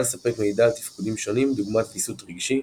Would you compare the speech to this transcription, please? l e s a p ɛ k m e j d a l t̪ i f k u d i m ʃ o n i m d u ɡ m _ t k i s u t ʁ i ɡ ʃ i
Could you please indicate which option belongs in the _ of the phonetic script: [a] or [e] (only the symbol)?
a